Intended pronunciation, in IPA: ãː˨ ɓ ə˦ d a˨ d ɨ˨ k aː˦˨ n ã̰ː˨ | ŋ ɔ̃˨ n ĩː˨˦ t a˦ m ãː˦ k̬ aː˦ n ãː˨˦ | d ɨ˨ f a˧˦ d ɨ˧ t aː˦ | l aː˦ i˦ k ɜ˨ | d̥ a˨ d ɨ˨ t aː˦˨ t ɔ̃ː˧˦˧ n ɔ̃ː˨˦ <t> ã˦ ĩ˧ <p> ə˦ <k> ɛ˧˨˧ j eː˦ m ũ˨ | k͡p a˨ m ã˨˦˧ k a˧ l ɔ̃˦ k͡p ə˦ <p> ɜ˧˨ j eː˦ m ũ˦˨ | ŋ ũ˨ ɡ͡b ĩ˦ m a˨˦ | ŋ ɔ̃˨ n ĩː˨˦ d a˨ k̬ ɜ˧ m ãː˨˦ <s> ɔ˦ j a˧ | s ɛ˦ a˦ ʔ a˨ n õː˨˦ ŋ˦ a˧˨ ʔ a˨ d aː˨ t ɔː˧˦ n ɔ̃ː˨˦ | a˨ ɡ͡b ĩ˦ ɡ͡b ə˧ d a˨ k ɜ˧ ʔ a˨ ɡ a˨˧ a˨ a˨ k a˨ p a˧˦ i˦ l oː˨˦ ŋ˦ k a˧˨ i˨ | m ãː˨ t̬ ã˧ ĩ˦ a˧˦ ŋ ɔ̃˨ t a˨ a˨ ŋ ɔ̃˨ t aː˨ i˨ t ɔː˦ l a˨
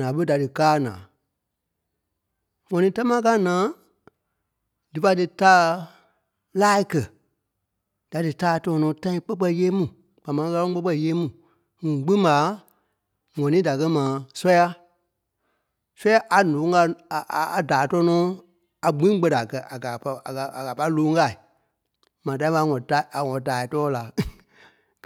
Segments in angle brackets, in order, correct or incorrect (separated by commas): correct, incorrect, incorrect, incorrect, correct